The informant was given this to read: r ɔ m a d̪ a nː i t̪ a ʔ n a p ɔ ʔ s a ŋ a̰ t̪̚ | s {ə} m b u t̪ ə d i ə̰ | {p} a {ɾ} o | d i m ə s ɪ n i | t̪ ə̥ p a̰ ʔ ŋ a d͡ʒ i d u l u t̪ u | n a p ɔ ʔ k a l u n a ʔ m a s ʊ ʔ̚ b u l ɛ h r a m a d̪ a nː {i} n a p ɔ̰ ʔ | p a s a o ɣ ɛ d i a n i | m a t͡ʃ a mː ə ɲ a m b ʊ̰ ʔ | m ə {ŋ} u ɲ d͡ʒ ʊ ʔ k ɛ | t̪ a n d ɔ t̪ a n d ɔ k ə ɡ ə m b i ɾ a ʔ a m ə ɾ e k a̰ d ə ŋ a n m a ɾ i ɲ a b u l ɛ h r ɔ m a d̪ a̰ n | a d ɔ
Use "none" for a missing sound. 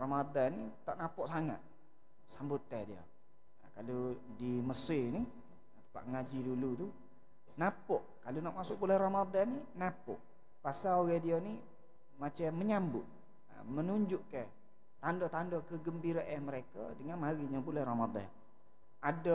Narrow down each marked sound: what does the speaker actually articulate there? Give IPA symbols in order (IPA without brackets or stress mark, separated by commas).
a, k, l, i, n